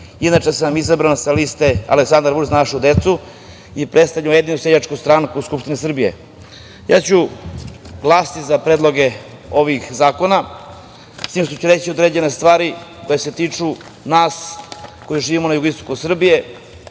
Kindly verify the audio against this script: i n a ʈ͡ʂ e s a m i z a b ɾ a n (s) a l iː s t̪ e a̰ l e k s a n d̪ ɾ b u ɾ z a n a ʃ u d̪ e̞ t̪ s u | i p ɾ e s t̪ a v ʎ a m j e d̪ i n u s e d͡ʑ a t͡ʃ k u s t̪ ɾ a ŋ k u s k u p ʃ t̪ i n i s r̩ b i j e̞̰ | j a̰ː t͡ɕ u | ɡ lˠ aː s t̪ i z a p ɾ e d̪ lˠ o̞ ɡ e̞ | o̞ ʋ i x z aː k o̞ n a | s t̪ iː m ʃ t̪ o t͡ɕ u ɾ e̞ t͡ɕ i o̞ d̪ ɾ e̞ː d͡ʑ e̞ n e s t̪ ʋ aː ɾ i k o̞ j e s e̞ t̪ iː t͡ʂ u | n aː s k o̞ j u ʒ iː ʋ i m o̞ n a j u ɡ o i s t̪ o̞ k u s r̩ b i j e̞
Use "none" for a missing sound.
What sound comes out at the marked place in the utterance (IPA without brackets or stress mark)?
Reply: s